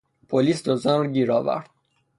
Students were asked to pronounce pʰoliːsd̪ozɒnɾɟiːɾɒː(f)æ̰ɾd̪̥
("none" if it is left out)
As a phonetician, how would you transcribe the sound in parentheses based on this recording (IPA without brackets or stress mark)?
v